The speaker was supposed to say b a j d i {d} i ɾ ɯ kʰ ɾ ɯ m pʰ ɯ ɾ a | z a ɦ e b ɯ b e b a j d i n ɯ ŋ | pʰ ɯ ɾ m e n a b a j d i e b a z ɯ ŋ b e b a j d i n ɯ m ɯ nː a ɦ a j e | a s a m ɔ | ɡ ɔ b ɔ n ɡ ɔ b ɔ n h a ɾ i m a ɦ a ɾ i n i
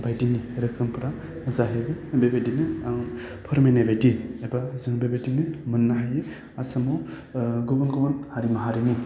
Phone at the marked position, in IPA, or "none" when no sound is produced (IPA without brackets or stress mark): n